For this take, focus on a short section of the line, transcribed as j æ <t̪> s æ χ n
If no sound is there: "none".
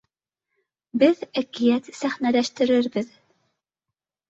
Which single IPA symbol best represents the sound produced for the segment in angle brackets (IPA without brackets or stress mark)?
t̪